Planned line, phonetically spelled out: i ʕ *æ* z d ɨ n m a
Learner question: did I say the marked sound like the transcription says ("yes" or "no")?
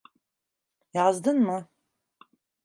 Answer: no